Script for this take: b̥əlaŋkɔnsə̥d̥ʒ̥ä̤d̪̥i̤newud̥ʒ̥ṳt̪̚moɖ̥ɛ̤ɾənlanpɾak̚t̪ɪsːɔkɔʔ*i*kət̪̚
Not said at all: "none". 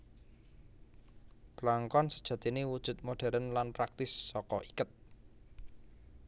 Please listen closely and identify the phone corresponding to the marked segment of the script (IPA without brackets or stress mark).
i